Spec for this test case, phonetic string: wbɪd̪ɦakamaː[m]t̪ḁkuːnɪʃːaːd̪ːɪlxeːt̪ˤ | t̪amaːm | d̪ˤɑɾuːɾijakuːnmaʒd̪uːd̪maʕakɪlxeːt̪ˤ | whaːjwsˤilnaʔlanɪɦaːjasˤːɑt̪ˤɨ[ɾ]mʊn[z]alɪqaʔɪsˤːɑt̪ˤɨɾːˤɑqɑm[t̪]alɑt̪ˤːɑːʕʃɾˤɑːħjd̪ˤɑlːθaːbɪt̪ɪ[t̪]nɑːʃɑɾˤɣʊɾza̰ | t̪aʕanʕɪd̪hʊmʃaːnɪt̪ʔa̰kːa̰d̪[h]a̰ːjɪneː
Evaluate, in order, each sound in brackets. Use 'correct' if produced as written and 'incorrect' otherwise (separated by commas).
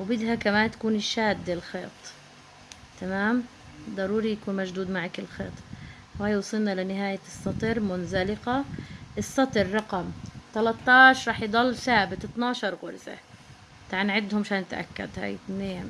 incorrect, correct, correct, correct, correct, correct